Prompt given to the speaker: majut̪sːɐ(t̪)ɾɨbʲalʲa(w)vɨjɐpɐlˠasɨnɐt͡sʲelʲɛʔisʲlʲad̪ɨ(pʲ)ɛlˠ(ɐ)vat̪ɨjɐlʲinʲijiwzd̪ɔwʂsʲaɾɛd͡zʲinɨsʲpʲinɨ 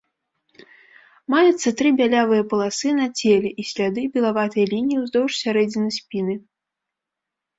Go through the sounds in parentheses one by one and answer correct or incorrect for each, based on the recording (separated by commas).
correct, incorrect, incorrect, incorrect